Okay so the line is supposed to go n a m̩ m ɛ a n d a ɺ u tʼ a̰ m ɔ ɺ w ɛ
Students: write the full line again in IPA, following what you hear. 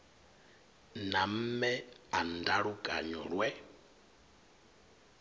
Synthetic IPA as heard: n a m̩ m ɛ a n d a ɺ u kʼ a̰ ɲ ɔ ɺ w ɛ